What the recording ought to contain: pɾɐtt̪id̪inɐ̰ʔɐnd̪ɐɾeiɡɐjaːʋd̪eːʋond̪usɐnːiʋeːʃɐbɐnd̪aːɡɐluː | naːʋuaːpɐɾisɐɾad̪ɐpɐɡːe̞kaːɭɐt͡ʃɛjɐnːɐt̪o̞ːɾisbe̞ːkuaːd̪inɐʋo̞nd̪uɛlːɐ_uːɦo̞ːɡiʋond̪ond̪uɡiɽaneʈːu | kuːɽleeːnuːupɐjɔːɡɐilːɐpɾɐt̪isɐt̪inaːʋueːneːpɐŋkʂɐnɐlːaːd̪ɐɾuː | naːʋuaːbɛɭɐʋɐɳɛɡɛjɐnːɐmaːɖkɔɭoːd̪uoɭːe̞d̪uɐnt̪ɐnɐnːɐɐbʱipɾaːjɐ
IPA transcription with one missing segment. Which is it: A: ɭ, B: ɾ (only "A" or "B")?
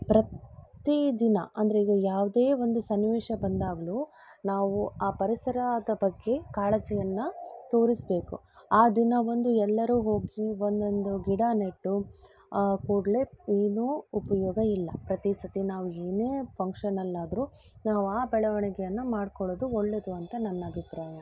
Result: B